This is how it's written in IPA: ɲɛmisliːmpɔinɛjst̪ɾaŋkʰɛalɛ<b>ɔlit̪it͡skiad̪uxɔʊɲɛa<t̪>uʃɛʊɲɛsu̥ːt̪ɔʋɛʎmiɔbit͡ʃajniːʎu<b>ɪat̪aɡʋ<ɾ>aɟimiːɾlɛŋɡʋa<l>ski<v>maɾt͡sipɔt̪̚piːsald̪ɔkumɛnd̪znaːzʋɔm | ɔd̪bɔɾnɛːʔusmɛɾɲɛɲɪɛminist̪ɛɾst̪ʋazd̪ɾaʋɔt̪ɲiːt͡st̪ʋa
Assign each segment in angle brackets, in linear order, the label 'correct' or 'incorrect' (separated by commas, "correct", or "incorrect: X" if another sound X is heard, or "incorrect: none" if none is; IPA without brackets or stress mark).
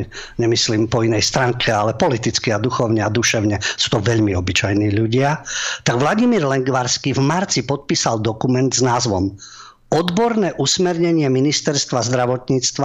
incorrect: p, incorrect: d̪, incorrect: ɟ, incorrect: l, incorrect: ɾ, correct